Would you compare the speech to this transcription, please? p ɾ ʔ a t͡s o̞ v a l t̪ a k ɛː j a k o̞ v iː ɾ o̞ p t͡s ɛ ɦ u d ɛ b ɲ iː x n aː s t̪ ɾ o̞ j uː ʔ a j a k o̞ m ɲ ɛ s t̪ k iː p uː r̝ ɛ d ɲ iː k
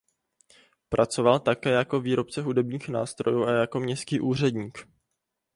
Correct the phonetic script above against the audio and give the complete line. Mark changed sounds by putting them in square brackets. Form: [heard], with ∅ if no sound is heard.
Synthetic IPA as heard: p ɾ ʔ a t͡s o̞ v a l t̪ a k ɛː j a k o̞ v iː ɾ o̞ p t͡s ɛ ɦ u d ɛ b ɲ iː x n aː s t̪ ɾ o̞ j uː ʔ a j a k o̞ m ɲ ɛ s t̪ k iː [ʔ] uː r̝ ɛ d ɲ iː k

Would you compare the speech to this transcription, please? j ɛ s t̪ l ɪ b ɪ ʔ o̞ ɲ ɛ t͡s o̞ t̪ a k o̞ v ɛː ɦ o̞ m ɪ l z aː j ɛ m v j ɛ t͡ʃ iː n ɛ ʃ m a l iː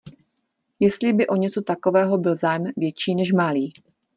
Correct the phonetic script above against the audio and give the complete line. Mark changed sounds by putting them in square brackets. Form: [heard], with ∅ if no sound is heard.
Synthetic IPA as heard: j ɛ s t̪ l ɪ b ɪ ʔ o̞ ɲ ɛ t͡s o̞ t̪ a k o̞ v ɛː ɦ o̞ [b] ɪ l z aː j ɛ m v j ɛ t͡ʃ iː n ɛ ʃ m a l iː

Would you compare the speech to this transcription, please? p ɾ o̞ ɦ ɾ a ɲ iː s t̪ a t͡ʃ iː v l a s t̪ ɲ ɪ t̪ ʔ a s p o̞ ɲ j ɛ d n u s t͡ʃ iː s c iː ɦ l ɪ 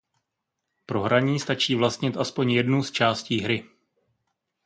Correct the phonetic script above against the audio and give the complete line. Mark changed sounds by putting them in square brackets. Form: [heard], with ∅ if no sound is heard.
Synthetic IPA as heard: p ɾ o̞ ɦ ɾ a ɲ iː s t̪ a t͡ʃ iː v l a s t̪ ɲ ɪ t̪ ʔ a s p o̞ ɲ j ɛ d n u s t͡ʃ [aː] s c iː ɦ [ɾ] ɪ

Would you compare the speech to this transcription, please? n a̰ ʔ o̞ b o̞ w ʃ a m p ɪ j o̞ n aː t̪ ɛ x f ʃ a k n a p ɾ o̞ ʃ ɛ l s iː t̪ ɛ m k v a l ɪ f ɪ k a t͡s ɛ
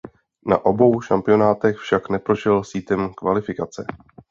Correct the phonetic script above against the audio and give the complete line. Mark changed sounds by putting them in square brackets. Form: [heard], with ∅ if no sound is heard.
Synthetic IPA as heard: n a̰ ʔ o̞ b o̞ w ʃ a m p ɪ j o̞ n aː t̪ ɛ x f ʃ a k n [ɛ] p ɾ o̞ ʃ ɛ l s iː t̪ ɛ m k v a l ɪ f ɪ k a t͡s ɛ

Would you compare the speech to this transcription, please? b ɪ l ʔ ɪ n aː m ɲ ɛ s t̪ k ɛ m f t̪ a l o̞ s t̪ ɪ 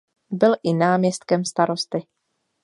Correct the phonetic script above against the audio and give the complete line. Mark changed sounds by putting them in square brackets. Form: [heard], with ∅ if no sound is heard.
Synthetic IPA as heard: b ɪ l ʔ ɪ n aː m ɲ ɛ s t̪ k ɛ m [s] t̪ a [ɾ] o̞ s t̪ ɪ

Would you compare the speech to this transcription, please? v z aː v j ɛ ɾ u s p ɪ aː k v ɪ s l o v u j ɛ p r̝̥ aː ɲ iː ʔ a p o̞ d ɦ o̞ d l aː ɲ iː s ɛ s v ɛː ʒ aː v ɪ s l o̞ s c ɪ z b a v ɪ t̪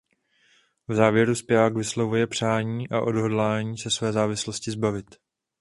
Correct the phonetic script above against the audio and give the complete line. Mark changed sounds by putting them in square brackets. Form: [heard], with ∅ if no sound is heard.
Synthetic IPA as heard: v z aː v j ɛ ɾ u s p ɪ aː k v ɪ s l o v u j ɛ p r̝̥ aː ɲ iː ʔ a [ʔ] o̞ d ɦ o̞ d l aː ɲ iː s ɛ s v ɛː [z] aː v ɪ s l o̞ s c ɪ z b a v ɪ t̪

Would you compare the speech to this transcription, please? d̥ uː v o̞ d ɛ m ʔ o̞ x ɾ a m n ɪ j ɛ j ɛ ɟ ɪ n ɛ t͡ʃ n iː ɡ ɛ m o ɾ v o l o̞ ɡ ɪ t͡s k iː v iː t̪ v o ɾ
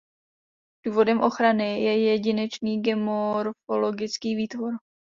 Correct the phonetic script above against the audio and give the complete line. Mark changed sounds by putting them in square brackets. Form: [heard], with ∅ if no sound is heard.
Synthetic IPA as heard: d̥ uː v o̞ d ɛ m ʔ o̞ x ɾ a [∅] n ɪ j ɛ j ɛ ɟ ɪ n ɛ t͡ʃ n iː ɡ ɛ m o ɾ [f] o l o̞ ɡ ɪ t͡s k iː v iː t̪ v o ɾ

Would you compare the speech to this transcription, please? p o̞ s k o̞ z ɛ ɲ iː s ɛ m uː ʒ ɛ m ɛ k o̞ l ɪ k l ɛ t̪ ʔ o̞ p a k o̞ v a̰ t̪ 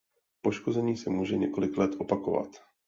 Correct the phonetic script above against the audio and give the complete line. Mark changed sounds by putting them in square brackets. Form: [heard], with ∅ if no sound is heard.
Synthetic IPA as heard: p o̞ [ʃ] k o̞ z ɛ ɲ iː s ɛ m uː ʒ ɛ [ɲ] ɛ k o̞ l ɪ k l ɛ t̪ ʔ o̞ p a k o̞ v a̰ t̪

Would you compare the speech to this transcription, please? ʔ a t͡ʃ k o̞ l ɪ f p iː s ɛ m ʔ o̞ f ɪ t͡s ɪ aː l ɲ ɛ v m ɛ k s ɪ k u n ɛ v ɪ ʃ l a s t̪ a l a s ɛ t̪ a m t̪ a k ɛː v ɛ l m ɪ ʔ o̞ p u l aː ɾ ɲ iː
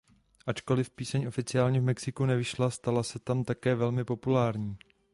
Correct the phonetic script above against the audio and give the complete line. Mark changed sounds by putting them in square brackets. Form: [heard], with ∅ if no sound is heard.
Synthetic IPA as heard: ʔ a t͡ʃ k o̞ l ɪ f p iː s ɛ [ɲ] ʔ o̞ f ɪ t͡s ɪ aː l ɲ ɛ v m ɛ k s ɪ k u n ɛ v ɪ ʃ l a s t̪ a l a s ɛ t̪ a m t̪ a k ɛː v ɛ l m ɪ [p] o̞ p u l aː ɾ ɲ iː

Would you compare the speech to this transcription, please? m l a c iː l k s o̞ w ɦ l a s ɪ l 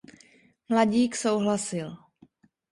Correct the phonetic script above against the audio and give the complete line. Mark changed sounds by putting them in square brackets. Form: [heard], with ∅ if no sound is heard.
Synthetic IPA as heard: m l a [ɟ] iː [∅] k s o̞ w ɦ l a s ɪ l

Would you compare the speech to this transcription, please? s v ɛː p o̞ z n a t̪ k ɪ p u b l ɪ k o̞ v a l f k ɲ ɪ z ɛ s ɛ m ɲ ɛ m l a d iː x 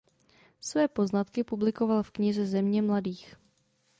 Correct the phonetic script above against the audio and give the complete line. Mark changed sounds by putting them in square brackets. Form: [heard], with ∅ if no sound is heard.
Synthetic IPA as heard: s v ɛː p o̞ z n a t̪ k ɪ p u b l ɪ k o̞ v a l f k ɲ ɪ z ɛ [z] ɛ m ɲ ɛ m l a d iː x

